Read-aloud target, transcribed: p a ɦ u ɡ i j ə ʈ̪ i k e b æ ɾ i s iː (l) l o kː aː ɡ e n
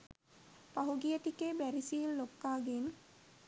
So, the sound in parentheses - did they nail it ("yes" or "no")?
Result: yes